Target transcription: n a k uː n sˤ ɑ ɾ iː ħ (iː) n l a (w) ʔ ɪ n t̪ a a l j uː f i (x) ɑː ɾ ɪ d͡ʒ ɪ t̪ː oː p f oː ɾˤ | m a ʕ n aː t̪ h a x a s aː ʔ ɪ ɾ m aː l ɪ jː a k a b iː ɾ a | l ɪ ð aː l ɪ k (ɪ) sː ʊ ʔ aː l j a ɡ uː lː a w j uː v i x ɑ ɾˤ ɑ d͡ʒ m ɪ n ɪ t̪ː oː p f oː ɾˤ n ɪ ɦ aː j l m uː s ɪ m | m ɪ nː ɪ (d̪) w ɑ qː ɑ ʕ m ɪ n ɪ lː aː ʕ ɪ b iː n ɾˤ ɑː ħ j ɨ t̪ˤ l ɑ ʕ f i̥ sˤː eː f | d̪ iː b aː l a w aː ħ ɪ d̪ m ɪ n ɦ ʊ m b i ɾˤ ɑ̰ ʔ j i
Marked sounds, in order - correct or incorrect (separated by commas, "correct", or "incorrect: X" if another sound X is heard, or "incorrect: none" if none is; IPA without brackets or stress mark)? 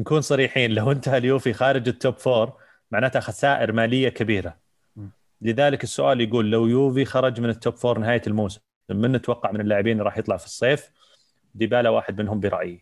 correct, correct, correct, correct, incorrect: t̪